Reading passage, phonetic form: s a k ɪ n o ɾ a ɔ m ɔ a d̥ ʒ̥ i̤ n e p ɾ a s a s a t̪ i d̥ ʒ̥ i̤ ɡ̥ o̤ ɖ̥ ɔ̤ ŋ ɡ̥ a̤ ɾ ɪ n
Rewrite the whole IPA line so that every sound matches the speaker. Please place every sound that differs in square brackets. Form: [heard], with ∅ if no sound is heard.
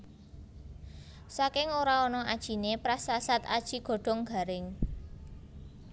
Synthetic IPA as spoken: s a k ɪ [ŋ] o ɾ a ɔ [n] ɔ a d̥ ʒ̥ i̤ n e p ɾ a s a s a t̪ [a] d̥ ʒ̥ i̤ ɡ̥ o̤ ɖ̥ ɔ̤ ŋ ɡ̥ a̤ ɾ ɪ [ŋ]